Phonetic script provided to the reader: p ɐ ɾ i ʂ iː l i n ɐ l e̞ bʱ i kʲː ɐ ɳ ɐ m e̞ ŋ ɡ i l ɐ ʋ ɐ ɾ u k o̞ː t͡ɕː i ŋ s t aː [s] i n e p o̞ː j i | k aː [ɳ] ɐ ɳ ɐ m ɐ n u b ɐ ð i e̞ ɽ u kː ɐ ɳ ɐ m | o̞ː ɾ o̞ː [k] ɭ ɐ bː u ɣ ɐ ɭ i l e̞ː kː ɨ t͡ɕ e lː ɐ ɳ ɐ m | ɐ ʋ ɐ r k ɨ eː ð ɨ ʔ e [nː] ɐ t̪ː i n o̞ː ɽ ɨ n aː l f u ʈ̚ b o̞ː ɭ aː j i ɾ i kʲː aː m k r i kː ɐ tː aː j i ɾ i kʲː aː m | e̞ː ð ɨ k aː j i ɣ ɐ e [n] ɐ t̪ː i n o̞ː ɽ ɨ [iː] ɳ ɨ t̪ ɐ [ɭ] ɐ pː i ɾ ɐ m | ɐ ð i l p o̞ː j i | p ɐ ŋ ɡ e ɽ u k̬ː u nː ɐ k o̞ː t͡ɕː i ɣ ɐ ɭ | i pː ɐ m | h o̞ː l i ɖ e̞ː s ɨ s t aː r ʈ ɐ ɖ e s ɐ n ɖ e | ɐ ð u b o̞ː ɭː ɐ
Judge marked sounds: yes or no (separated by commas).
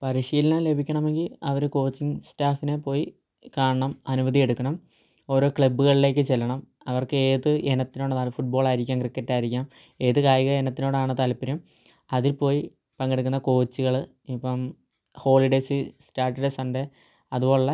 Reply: no, yes, yes, no, yes, no, no